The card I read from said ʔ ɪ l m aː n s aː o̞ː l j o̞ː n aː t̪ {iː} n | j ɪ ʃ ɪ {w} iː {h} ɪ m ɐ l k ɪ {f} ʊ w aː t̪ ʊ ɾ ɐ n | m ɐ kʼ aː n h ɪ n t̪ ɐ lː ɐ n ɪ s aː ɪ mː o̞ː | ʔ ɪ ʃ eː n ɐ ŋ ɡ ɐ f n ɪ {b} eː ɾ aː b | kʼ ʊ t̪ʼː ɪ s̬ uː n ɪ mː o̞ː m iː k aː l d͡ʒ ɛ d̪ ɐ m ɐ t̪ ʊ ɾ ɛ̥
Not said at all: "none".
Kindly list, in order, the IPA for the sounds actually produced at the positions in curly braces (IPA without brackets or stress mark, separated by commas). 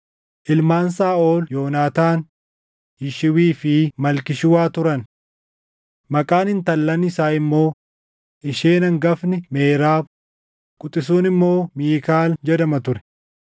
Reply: aː, w, f, ʃ, m